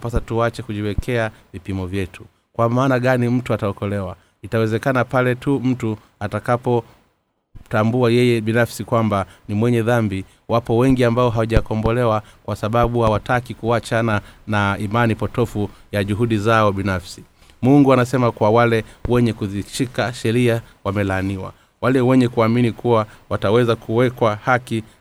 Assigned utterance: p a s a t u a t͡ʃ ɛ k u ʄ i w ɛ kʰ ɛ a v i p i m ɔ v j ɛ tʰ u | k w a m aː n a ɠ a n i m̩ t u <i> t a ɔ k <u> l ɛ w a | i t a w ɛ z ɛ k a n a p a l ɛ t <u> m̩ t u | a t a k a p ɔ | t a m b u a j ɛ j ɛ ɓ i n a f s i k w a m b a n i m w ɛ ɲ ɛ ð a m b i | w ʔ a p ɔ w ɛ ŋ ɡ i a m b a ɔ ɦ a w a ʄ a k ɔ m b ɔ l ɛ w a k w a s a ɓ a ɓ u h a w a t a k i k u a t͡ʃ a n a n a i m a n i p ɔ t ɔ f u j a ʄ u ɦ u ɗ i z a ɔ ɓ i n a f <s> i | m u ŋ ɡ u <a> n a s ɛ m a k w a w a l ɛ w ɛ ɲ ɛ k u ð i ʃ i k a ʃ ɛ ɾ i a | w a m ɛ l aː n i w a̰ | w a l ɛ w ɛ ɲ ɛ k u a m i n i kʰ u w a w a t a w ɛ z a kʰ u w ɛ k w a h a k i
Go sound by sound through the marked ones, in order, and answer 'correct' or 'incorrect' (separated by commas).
incorrect, incorrect, correct, correct, correct